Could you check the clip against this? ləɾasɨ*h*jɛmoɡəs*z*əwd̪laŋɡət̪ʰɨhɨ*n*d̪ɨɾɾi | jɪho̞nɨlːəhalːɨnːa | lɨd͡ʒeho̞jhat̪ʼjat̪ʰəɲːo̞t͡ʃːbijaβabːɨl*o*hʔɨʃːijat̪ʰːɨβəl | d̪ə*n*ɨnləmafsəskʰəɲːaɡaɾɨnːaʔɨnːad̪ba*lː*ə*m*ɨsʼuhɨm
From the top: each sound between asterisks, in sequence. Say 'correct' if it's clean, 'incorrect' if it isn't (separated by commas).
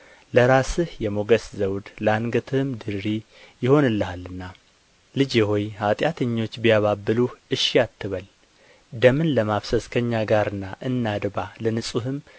correct, correct, incorrect, incorrect, incorrect, incorrect, incorrect